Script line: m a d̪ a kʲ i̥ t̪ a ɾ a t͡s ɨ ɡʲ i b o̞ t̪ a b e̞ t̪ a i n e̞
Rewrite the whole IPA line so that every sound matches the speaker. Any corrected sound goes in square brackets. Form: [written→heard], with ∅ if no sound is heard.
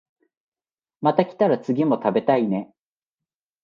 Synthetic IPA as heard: m a [d̪→t̪] a kʲ i̥ t̪ a ɾ a t͡s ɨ ɡʲ i [b→m] o̞ t̪ a b e̞ t̪ a i n e̞